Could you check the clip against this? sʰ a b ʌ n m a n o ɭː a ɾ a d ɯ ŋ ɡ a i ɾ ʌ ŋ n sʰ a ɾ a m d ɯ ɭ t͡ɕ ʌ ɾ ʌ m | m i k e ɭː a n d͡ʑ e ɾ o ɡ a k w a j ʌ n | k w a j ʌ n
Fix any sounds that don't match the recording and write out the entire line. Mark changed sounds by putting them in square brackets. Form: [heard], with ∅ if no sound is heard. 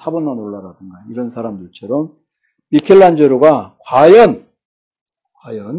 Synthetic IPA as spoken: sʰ a b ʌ n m a n o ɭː a ɾ a d ɯ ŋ ɡ a i ɾ ʌ [∅] n sʰ a ɾ a m d ɯ ɭ [t͡ɕʰ] ʌ ɾ ʌ m | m i [kʰ] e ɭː a n d͡ʑ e ɾ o ɡ a k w a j ʌ n | k w a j ʌ n